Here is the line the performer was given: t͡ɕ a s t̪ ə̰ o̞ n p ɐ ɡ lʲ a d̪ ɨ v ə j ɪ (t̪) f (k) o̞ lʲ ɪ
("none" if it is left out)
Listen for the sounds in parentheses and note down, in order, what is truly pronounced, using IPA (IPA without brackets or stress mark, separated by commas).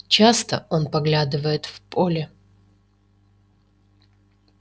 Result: t̪, p